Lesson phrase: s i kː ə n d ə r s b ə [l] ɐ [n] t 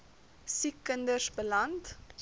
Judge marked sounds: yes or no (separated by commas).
yes, yes